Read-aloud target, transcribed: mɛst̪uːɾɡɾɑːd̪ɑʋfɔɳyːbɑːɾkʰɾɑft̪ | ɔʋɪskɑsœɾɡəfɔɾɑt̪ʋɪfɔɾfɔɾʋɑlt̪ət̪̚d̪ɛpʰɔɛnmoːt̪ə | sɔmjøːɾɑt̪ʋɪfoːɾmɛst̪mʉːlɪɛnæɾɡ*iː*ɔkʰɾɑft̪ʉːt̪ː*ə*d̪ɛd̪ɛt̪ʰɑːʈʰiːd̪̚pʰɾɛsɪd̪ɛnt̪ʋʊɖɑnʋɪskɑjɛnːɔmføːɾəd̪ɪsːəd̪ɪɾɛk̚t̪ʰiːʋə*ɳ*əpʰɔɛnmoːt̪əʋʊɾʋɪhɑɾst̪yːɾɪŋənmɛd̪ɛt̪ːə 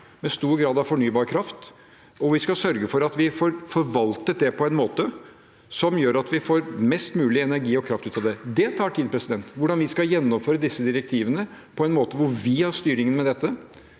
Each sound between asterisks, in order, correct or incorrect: correct, incorrect: ɑ, incorrect: n

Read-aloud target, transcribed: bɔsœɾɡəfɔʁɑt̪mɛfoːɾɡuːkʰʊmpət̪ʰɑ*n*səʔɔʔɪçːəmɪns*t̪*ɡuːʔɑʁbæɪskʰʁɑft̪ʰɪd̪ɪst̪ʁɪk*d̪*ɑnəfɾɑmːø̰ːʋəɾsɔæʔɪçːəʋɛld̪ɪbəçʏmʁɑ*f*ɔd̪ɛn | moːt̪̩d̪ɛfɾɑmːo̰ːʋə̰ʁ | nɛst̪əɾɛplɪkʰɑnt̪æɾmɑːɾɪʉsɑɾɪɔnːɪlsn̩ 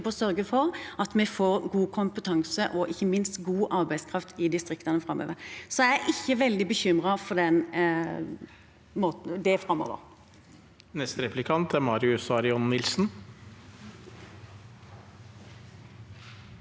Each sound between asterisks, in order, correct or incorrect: incorrect: ŋ, correct, incorrect: t̪, correct

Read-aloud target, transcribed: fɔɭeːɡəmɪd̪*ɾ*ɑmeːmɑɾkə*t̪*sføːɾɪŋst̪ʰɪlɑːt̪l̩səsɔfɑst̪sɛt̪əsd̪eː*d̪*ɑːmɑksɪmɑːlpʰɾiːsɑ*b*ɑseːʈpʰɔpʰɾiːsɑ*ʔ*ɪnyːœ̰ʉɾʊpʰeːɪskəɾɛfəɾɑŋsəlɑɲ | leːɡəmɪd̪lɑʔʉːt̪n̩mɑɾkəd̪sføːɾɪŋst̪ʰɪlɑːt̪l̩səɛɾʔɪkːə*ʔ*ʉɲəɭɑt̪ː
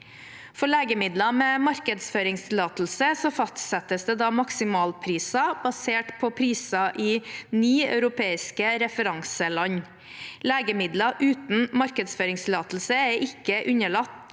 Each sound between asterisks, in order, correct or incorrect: incorrect: l, incorrect: d̪, correct, correct, correct, correct

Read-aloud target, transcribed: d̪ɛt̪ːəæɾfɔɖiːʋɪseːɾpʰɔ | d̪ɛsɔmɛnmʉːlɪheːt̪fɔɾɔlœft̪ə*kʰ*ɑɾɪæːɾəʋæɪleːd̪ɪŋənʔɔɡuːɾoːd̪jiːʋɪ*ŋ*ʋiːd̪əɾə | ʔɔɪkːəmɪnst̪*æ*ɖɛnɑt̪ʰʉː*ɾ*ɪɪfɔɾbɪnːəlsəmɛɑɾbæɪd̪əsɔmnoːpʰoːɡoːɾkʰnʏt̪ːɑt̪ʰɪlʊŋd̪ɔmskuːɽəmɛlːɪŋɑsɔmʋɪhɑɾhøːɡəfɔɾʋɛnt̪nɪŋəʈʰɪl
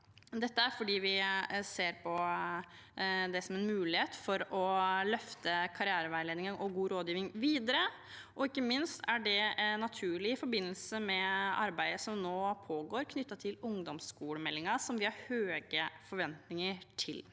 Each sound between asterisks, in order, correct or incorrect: correct, correct, correct, incorrect: ɭ

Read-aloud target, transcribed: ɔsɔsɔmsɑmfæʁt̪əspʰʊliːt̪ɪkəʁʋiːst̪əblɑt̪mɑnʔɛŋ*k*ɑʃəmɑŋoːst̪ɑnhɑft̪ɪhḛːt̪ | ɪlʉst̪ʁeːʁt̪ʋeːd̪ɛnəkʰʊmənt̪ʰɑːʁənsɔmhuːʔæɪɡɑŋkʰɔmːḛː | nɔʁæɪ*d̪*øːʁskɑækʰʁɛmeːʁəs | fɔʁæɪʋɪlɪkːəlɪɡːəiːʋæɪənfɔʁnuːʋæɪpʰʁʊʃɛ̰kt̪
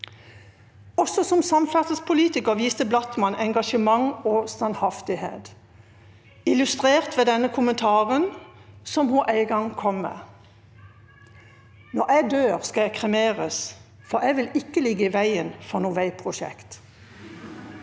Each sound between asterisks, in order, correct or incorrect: incorrect: ɡ, correct

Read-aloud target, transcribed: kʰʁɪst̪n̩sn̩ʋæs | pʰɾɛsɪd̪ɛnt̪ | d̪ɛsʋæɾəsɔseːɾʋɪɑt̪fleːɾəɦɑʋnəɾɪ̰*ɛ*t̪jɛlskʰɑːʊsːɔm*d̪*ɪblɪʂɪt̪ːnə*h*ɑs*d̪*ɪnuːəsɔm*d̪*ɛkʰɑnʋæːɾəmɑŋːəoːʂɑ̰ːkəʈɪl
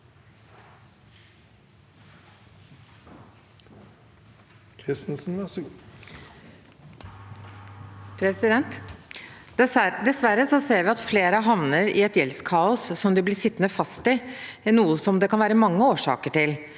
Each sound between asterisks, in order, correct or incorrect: correct, correct, incorrect: f, incorrect: t̪, correct

